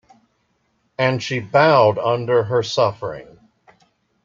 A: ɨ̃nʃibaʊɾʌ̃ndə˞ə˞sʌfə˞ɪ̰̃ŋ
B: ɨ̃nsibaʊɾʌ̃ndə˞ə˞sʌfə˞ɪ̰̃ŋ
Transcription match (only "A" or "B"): A